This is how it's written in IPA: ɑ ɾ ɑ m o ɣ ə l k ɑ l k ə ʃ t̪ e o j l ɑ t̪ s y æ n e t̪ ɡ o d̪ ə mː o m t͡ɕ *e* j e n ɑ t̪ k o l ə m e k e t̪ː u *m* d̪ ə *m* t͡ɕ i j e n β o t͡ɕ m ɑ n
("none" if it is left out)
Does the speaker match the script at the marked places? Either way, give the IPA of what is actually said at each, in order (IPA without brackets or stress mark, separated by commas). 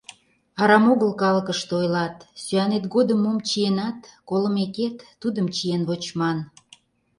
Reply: i, none, m